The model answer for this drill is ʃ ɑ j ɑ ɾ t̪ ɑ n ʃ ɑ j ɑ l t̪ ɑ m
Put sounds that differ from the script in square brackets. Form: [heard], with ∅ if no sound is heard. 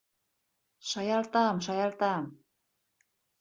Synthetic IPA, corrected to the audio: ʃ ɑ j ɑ [l] t̪ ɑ [m] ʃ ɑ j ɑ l t̪ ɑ m